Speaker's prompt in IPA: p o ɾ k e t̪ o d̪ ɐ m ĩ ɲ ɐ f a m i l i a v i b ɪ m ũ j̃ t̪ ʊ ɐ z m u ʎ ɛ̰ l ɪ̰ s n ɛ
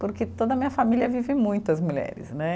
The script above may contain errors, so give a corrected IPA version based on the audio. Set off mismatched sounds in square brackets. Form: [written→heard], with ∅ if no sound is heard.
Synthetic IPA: p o ɾ k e t̪ o d̪ ɐ m ĩ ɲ ɐ f a m i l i [a→ɐ] v i [b→v] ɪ m ũ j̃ t̪ ʊ ɐ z m u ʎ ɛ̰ [l→ɾ] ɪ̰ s n ɛ